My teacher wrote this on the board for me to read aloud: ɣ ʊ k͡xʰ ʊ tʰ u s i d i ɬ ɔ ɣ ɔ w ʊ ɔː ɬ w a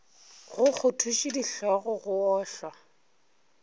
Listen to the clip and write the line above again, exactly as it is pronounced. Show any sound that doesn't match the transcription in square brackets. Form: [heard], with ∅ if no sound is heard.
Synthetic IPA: ɣ ʊ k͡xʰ ʊ tʰ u [ʃ] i d i ɬ ɔ ɣ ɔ [ɣ] ʊ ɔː ɬ w a